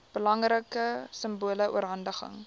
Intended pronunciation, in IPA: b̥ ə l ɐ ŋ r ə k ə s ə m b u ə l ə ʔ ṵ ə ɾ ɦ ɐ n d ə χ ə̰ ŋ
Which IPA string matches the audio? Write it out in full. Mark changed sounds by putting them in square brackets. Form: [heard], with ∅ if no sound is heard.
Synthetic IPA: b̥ ə l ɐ ŋ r ə k ə s ə m b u ə l ə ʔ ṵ ə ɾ ɦ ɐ n d ə χ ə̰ ŋ